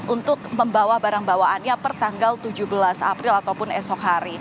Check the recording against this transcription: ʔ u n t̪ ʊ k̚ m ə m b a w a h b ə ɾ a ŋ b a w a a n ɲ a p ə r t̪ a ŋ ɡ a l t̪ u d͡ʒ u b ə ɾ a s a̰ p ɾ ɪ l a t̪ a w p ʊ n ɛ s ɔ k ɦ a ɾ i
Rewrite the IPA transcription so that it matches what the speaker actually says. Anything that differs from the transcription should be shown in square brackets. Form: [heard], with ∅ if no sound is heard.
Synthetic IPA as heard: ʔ u n t̪ ʊ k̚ m ə m b a w a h b [a] ɾ a ŋ b a w a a n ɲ a p ə r t̪ a ŋ ɡ a l t̪ u d͡ʒ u b ə [l] a s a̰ p ɾ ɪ l a t̪ a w p ʊ n ɛ s ɔ k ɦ a ɾ i

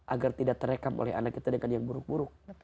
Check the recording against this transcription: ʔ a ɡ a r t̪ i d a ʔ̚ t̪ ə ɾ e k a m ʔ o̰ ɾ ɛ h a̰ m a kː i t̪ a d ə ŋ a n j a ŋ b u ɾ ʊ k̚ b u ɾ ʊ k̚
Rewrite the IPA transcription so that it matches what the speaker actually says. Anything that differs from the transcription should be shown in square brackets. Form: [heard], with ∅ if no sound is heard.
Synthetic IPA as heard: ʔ a ɡ a r t̪ i d a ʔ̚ t̪ ə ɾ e k a m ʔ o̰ [l] ɛ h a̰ [n] a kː i t̪ a d ə ŋ a n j a ŋ b u ɾ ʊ k̚ b u ɾ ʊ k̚

